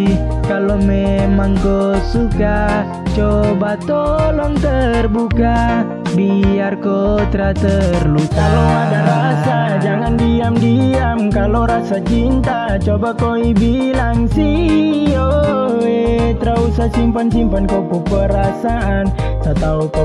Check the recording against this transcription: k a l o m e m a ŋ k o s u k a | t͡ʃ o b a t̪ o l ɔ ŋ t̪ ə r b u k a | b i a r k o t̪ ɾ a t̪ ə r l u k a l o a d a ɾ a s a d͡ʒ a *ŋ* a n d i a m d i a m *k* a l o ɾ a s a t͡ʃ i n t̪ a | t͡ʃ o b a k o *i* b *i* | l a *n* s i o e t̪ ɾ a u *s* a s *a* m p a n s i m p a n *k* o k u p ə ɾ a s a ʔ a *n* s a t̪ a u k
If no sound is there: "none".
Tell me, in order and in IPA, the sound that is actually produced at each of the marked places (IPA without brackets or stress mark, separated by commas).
ŋ, k, i, i, ŋ, s, i, k, n